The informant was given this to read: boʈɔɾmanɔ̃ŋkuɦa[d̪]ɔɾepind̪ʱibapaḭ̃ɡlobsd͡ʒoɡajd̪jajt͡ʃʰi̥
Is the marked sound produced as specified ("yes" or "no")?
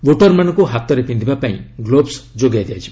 no